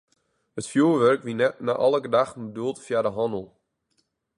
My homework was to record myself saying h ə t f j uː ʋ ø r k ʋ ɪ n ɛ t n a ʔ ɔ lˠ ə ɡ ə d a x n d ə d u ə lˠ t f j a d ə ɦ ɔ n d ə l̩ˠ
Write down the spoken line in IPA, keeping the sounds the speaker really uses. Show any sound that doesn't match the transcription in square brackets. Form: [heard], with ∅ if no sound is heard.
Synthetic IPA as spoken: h ə t f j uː ʋ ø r k ʋ [i] n ɛ t n a ʔ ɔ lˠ ə ɡ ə d a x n [b] ə d u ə lˠ t f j a d ə ɦ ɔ n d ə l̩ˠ